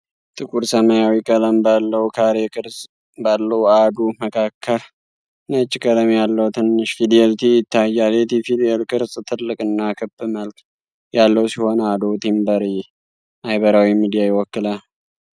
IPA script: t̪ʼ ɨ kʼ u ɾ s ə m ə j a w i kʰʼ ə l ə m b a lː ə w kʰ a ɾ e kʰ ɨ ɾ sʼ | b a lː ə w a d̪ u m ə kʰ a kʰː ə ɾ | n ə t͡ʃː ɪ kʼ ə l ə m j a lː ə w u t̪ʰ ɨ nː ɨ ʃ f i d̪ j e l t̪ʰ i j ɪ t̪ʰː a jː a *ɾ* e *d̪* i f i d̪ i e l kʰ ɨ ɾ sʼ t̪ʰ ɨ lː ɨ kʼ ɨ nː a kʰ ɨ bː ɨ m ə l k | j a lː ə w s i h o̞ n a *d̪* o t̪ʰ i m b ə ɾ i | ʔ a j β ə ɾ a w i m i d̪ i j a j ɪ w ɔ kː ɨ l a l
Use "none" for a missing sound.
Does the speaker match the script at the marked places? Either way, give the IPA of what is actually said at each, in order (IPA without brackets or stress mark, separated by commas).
l, t̪, d̪